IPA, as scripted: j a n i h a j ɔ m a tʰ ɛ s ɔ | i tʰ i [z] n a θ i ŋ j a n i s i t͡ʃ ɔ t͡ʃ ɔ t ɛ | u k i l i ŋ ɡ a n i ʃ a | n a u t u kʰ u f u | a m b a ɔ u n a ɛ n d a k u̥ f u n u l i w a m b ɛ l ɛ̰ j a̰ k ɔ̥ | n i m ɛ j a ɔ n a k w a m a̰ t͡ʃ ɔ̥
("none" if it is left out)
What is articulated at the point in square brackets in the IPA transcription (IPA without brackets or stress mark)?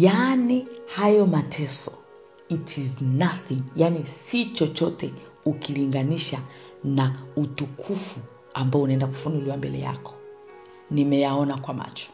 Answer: z